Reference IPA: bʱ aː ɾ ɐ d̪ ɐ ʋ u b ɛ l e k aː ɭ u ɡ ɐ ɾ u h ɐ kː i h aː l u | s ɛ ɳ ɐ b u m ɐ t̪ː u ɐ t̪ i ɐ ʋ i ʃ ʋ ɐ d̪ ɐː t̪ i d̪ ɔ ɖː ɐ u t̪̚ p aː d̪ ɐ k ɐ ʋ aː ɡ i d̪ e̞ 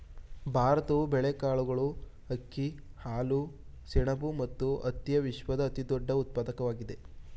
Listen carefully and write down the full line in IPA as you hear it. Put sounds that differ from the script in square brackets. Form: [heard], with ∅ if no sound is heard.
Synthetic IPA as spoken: bʱ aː ɾ ɐ [t̪] ɐ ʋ u b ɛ [ɭ] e k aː ɭ u ɡ ɐ [ɭ] u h ɐ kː i h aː l u | s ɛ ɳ ɐ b u m ɐ t̪ː u ɐ t̪ [j] ɐ ʋ i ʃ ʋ ɐ d̪ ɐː t̪ i d̪ ɔ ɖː ɐ u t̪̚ p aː d̪ ɐ k ɐ ʋ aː ɡ i d̪ e̞

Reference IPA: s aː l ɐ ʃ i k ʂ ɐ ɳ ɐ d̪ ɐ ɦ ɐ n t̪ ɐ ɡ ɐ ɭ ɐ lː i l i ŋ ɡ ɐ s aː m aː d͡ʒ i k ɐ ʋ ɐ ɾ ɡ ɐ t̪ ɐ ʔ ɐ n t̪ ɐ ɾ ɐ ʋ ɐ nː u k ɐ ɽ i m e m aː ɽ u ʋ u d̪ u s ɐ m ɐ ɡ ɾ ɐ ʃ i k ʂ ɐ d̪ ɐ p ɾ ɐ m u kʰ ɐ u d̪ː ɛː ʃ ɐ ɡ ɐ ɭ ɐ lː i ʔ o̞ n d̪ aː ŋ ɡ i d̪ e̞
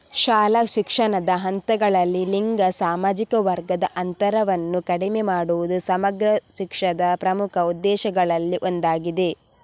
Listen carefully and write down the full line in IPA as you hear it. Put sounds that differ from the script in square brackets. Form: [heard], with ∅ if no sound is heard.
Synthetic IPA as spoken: [ʃ] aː l ɐ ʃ i k ʂ ɐ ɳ ɐ d̪ ɐ ɦ ɐ n t̪ ɐ ɡ ɐ ɭ ɐ lː i l i ŋ ɡ ɐ s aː m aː d͡ʒ i k ɐ ʋ ɐ ɾ ɡ ɐ [d̪] ɐ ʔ ɐ n t̪ ɐ ɾ ɐ ʋ ɐ nː u k ɐ ɽ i m e m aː ɽ u ʋ u d̪ u s ɐ m ɐ ɡ ɾ ɐ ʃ i k ʂ ɐ d̪ ɐ p ɾ ɐ m u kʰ ɐ u d̪ː ɛː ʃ ɐ ɡ ɐ ɭ ɐ lː i ʔ o̞ n d̪ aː [∅] ɡ i d̪ e̞

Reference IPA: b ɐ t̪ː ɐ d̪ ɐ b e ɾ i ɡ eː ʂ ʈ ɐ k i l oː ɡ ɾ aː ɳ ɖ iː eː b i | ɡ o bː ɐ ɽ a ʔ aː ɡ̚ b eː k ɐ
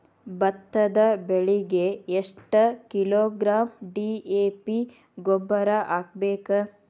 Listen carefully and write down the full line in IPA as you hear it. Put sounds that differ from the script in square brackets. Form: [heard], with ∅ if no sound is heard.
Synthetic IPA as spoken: b ɐ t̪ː ɐ d̪ ɐ b e [ɭ] i ɡ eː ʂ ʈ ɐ k i l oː ɡ ɾ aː [m] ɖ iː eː [p] i | ɡ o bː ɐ [ɾ] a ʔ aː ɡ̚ b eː k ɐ

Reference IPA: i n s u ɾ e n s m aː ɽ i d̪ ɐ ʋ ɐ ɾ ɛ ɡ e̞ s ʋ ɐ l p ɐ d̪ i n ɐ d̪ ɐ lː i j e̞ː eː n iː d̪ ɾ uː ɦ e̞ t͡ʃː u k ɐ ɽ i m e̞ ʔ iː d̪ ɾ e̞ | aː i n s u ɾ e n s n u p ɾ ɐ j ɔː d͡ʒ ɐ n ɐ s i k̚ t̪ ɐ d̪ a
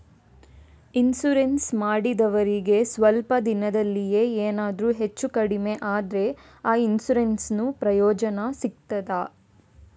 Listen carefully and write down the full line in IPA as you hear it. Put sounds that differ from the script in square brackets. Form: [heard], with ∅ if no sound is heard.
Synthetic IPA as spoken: i n s u ɾ e n s m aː ɽ i d̪ ɐ ʋ ɐ ɾ [i] ɡ e̞ s ʋ ɐ l p ɐ d̪ i n ɐ d̪ ɐ lː i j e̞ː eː n [aː] d̪ ɾ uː ɦ e̞ t͡ʃː u k ɐ ɽ i m e̞ ʔ [aː] d̪ ɾ e̞ | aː i n s u ɾ e n s n u p ɾ ɐ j ɔː d͡ʒ ɐ n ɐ s i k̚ t̪ ɐ d̪ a

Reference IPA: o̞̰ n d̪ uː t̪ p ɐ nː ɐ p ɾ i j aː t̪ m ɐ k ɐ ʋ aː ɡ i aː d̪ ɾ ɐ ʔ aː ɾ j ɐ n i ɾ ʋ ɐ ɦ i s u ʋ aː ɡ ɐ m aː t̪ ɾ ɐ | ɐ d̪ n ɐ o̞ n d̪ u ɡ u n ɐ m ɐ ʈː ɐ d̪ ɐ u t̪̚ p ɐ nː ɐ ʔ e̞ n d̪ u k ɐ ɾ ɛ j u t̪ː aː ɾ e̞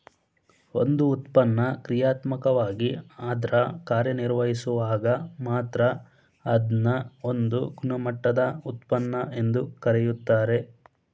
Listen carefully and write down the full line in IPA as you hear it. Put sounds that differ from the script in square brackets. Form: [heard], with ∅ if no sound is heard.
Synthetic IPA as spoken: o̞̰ n d̪ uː t̪ p ɐ nː ɐ [k] ɾ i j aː t̪ m ɐ k ɐ ʋ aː ɡ i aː d̪ ɾ ɐ [k] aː ɾ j ɐ n i ɾ ʋ ɐ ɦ i s u ʋ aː ɡ ɐ m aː t̪ ɾ ɐ | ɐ d̪ n ɐ o̞ n d̪ u ɡ u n ɐ m ɐ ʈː ɐ d̪ ɐ u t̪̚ p ɐ nː ɐ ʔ e̞ n d̪ u k ɐ ɾ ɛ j u t̪ː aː ɾ e̞

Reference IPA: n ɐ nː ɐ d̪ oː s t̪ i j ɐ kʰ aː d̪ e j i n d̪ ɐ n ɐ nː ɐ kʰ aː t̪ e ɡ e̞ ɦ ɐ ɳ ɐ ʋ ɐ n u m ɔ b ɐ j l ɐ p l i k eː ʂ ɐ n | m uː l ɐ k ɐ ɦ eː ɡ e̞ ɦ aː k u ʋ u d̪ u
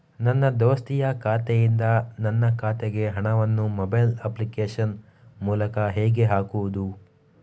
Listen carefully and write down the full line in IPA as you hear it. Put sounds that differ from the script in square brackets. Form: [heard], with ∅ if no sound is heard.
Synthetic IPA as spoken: n ɐ nː ɐ d̪ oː s t̪ i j ɐ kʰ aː [t̪] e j i n d̪ ɐ n ɐ nː ɐ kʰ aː t̪ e ɡ e̞ ɦ ɐ ɳ ɐ ʋ ɐ [nː] u m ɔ b ɐ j l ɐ p l i k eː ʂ ɐ n | m uː l ɐ k ɐ ɦ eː ɡ e̞ ɦ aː k u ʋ u d̪ u

